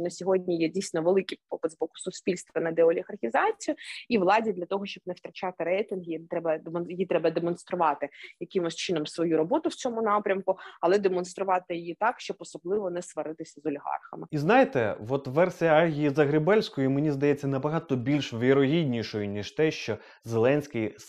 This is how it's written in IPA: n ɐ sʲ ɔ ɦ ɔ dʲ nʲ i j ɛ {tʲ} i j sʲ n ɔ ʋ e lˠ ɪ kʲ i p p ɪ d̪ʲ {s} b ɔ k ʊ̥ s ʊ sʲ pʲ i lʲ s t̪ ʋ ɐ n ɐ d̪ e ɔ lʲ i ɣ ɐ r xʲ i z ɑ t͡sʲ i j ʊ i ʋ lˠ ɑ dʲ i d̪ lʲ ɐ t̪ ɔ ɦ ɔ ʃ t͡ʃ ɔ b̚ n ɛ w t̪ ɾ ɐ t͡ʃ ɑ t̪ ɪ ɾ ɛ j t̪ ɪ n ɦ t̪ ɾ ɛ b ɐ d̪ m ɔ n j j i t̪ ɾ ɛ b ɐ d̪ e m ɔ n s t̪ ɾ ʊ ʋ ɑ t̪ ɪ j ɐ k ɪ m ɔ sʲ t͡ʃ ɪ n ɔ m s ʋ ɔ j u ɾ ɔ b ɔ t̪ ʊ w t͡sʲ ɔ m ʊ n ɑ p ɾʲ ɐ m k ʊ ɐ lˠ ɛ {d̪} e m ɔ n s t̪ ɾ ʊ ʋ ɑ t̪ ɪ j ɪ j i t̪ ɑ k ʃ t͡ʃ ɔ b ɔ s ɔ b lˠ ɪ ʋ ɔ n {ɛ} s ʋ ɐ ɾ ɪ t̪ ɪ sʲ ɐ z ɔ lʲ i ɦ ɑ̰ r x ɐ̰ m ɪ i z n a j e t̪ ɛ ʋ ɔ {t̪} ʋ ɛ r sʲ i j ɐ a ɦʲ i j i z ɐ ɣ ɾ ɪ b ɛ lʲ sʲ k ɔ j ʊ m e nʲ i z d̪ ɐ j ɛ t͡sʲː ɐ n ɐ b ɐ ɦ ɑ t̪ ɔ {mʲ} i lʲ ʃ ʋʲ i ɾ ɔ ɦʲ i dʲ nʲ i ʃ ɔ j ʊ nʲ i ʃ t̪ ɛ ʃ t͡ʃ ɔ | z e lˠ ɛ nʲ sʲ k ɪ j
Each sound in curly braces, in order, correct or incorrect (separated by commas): incorrect, incorrect, correct, correct, correct, incorrect